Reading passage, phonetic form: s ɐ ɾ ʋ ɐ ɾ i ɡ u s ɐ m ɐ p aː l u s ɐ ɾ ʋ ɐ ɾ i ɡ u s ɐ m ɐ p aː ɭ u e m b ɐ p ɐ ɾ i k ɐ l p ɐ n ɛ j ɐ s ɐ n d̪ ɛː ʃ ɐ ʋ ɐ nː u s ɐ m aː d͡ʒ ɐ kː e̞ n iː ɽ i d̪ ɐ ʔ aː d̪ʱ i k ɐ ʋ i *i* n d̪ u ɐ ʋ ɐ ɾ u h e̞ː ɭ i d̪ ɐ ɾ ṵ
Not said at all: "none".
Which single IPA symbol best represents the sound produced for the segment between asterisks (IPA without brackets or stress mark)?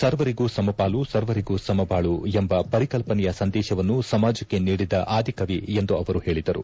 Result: e